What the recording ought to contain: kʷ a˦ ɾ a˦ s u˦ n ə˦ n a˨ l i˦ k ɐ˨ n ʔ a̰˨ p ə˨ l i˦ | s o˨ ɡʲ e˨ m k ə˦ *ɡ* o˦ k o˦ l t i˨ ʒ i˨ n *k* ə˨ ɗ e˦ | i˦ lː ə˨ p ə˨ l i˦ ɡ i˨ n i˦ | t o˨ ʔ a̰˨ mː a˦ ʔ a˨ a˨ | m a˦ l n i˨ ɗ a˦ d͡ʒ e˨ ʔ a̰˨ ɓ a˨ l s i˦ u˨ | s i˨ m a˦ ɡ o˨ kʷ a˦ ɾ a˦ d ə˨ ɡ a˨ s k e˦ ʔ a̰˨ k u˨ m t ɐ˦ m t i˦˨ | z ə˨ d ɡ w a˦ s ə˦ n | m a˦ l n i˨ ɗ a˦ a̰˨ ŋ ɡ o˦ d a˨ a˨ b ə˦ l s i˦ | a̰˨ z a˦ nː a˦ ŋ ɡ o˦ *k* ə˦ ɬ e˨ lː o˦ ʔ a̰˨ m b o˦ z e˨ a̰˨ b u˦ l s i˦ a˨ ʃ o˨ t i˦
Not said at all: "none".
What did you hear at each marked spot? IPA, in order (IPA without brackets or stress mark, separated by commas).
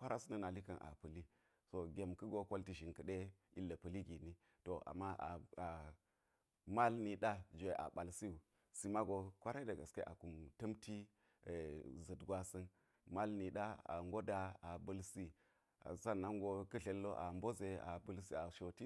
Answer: ɡ, k, k